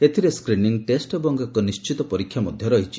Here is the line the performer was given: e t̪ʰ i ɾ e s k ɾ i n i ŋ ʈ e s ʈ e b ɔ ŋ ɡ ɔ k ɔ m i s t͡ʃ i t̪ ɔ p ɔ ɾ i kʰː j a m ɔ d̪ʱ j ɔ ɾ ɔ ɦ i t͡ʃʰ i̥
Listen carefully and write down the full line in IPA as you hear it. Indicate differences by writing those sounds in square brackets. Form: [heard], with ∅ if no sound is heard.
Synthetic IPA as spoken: e t̪ʰ i ɾ e s k ɾ i n i ŋ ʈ e s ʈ e b ɔ ŋ ɡ ɔ k ɔ [n] i s t͡ʃ i t̪ ɔ p ɔ ɾ i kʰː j a m ɔ d̪ʱ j ɔ ɾ ɔ ɦ i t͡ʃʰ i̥